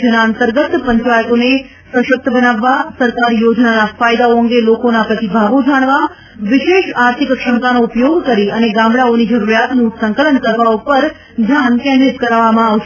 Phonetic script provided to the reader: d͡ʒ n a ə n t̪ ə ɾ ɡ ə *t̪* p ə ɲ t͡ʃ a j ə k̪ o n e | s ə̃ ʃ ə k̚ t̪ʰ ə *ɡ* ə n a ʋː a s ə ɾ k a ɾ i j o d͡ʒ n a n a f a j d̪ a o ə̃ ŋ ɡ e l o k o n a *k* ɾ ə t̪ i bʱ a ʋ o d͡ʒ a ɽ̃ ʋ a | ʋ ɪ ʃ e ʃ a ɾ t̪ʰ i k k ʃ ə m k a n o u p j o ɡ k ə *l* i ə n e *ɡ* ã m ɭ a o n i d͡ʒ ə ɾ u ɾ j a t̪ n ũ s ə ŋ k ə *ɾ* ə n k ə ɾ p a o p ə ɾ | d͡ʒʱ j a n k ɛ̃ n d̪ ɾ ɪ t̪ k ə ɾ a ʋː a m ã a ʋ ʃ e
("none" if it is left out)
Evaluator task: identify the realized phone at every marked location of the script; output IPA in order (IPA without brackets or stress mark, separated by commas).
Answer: t̪, b, p, ɾ, ɡ, l